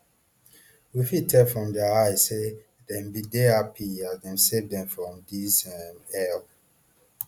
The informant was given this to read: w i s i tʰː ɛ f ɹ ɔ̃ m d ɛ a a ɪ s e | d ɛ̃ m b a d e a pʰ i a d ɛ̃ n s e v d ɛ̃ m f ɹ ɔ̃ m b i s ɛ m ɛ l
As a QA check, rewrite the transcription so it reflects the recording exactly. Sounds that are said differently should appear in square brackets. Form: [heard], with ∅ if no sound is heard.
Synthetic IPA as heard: w i [f] i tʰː ɛ f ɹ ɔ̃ m d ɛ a a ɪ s e | d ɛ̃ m b [i] d e a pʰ i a d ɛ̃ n s e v d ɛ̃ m f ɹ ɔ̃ m [d] i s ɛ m ɛ l